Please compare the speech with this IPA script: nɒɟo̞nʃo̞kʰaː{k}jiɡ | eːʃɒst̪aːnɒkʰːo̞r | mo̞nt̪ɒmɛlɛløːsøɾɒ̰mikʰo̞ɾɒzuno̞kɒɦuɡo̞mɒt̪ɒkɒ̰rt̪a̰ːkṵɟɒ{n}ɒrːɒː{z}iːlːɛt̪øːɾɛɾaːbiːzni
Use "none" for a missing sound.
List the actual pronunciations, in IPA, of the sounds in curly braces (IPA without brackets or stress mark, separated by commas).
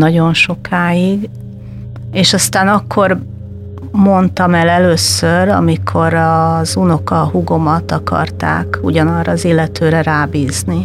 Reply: none, n, z